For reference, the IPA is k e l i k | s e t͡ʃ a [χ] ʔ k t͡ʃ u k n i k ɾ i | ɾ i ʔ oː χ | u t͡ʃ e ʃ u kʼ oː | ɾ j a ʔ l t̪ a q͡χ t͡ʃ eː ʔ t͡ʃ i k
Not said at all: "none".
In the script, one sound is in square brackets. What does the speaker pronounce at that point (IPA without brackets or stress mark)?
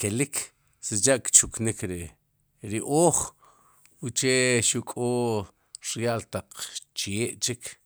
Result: none